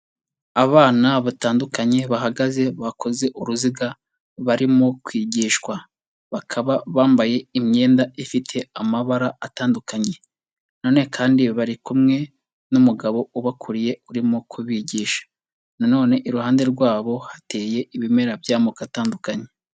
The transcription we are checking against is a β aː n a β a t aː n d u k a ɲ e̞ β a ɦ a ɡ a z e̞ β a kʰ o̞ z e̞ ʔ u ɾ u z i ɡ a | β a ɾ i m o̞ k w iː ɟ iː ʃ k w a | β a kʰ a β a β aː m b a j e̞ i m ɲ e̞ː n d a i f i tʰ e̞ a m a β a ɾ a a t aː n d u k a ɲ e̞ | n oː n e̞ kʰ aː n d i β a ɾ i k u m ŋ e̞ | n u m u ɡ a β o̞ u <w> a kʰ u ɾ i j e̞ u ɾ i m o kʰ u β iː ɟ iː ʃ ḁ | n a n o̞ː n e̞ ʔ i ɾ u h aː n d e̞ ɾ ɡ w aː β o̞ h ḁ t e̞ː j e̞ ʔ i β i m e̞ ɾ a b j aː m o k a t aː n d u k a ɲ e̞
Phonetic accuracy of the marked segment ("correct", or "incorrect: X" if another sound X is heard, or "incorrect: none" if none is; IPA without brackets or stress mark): incorrect: β